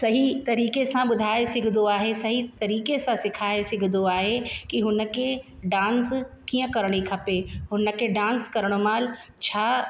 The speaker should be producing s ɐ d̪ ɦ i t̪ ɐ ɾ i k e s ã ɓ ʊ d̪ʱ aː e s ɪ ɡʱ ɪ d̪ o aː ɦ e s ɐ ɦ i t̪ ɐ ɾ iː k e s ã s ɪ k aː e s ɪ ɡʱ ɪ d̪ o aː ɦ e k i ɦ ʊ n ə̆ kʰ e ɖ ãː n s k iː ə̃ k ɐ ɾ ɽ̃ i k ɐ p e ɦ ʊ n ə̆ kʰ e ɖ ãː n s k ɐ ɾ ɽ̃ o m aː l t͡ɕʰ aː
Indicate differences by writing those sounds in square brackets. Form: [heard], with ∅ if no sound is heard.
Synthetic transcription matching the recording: s ɐ [∅] ɦ i t̪ ɐ ɾ [iː] k e s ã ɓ ʊ d̪ʱ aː e s ɪ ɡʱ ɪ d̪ o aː ɦ e s ɐ ɦ i t̪ ɐ ɾ iː k e s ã s ɪ [kʰ] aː e s ɪ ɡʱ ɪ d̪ o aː ɦ e k i ɦ ʊ n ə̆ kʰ e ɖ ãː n s k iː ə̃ k ɐ ɾ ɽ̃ i [kʰ] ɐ p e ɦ ʊ n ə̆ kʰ e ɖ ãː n s k ɐ ɾ ɽ̃ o m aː l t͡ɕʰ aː